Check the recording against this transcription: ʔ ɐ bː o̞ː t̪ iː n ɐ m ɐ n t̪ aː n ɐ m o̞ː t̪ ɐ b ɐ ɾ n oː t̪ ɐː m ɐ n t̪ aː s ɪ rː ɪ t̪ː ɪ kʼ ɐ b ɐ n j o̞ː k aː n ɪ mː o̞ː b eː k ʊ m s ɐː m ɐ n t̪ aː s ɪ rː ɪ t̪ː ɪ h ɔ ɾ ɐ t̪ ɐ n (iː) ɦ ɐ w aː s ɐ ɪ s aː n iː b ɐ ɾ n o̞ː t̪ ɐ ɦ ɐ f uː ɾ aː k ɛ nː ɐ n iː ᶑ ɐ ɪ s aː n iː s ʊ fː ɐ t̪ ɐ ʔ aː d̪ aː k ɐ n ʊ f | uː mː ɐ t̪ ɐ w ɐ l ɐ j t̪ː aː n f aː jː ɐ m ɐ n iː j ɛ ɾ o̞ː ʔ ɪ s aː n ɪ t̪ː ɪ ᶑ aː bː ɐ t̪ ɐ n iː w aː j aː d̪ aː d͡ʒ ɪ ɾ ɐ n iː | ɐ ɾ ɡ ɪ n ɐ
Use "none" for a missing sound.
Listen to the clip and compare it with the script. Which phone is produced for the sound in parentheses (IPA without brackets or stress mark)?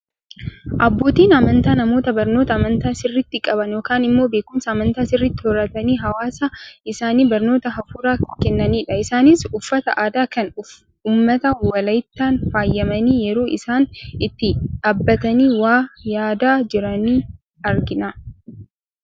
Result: iː